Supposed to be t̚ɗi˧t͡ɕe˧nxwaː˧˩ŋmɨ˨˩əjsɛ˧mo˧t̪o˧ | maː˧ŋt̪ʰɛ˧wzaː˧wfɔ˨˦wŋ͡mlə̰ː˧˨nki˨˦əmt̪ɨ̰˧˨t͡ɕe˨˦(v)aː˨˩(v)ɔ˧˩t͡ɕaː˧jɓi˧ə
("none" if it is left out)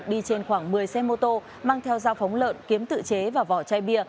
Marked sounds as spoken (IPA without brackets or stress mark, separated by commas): v, v